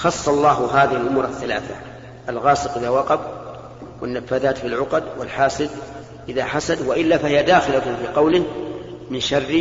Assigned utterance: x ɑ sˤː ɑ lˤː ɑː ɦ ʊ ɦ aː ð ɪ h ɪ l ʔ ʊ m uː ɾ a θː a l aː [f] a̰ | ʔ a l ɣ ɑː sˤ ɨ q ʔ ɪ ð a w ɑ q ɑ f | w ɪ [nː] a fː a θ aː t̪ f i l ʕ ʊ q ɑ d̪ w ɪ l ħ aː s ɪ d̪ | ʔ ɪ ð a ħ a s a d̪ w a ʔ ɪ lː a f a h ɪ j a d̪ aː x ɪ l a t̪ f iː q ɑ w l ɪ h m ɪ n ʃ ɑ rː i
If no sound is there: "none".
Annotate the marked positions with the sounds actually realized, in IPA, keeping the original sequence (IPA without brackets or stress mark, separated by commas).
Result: θ, nː